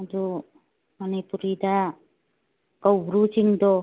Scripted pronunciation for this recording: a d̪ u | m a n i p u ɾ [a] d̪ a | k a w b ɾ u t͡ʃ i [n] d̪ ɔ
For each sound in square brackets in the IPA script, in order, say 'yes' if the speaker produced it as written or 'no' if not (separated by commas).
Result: no, no